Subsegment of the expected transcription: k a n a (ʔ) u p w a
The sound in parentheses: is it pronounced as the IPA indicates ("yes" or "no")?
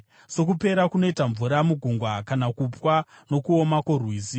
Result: no